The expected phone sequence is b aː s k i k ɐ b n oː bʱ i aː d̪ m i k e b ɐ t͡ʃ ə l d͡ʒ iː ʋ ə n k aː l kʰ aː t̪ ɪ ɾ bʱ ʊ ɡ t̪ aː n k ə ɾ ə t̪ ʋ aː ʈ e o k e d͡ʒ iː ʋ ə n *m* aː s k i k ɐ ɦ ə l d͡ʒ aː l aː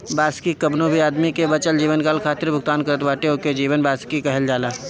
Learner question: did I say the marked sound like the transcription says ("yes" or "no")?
no